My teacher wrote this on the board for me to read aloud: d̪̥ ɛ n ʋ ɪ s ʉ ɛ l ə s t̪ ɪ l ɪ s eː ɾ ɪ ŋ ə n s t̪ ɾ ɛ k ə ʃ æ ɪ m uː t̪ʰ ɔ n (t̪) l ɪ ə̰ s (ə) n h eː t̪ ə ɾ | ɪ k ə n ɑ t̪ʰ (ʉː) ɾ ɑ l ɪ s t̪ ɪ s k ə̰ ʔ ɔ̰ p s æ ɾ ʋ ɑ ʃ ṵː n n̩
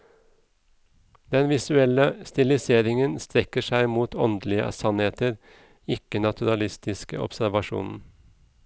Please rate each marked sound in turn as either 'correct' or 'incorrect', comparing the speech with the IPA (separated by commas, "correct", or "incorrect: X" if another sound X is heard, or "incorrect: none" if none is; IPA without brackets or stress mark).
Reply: incorrect: d̪, incorrect: ɑ, incorrect: ʉ